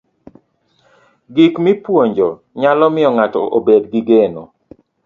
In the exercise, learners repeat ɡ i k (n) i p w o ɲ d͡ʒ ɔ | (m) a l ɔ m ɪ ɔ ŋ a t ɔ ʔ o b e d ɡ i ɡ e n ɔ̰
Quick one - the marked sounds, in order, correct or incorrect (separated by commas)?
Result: incorrect, incorrect